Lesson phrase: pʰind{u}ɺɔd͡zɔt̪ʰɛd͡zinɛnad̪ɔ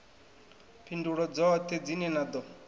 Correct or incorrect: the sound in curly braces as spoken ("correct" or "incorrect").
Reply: correct